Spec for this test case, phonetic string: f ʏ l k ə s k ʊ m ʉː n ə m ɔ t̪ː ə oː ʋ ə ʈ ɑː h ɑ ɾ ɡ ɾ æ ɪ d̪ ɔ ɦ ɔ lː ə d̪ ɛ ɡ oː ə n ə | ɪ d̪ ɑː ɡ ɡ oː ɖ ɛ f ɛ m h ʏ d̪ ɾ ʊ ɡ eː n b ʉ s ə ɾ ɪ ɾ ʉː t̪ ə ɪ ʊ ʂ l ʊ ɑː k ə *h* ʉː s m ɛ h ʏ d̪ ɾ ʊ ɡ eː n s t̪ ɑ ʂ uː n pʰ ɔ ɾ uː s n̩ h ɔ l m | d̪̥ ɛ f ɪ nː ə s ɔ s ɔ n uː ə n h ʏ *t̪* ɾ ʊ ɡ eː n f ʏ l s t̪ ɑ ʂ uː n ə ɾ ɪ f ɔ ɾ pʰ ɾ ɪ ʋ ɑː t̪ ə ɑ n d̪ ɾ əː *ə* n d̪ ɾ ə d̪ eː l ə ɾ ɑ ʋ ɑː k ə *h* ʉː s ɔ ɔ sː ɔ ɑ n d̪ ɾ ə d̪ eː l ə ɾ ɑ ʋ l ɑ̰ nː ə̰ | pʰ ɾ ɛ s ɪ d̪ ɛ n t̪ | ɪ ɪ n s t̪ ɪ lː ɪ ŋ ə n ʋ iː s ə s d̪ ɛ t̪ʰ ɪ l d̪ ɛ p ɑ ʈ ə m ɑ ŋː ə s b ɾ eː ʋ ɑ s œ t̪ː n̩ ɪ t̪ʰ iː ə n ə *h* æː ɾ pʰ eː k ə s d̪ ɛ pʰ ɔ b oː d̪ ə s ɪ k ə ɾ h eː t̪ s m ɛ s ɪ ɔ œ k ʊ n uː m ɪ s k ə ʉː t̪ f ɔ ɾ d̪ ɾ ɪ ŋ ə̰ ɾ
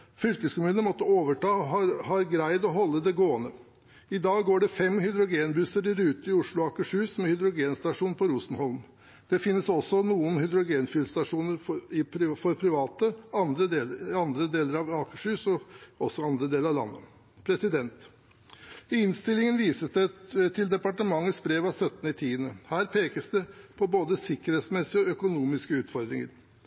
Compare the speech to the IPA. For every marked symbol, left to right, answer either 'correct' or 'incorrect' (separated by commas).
incorrect, incorrect, incorrect, incorrect, correct